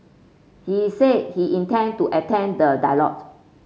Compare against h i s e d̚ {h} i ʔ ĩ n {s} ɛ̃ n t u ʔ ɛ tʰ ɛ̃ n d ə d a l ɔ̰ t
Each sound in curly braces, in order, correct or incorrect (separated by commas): correct, incorrect